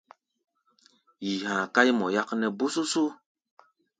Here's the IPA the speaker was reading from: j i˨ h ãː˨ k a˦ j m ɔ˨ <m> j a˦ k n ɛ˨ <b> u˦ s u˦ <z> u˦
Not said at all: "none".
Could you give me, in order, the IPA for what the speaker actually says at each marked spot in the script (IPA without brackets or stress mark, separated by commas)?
none, b, s